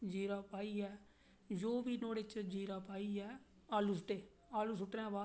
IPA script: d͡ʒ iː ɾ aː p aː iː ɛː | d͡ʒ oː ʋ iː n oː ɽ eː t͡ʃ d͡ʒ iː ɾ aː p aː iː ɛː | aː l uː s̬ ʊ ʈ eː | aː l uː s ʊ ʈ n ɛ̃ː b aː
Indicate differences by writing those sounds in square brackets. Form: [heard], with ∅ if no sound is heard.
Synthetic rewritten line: d͡ʒ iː ɾ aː p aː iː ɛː | d͡ʒ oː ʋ iː n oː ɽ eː t͡ʃ d͡ʒ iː ɾ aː p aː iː ɛː | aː l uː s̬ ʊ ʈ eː | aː l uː s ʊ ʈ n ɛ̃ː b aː